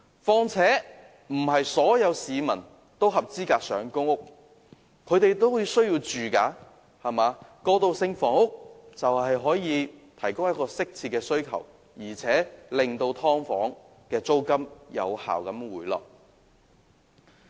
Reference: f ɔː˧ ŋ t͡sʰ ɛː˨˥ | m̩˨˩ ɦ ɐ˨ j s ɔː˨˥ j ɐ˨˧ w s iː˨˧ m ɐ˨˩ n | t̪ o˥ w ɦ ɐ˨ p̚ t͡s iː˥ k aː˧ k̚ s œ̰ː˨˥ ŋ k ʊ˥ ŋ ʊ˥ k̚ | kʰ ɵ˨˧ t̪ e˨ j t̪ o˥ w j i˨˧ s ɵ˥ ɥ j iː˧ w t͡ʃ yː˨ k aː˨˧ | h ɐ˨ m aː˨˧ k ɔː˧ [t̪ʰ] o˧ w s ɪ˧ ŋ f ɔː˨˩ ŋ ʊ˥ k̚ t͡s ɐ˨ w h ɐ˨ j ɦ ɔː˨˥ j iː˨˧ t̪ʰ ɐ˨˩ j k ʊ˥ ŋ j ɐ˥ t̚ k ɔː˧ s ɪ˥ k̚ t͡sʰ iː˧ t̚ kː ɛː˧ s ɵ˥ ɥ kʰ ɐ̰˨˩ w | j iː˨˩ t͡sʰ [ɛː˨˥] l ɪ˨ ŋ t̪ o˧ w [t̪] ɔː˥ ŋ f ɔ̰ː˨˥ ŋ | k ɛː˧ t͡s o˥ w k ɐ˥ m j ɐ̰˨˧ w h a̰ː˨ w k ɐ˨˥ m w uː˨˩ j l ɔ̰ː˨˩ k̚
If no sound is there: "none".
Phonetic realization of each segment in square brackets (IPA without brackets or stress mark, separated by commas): t̪, ɛː˨˥, t̪ʰ